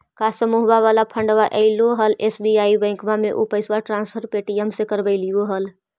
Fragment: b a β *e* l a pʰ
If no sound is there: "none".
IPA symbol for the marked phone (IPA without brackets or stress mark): a